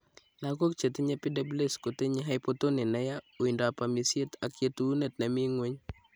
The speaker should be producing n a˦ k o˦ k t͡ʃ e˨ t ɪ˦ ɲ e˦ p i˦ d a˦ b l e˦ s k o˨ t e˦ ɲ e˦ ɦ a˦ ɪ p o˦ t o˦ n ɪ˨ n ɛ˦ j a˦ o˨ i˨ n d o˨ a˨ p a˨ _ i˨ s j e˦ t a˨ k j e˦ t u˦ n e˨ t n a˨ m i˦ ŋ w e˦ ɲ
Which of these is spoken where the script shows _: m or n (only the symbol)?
m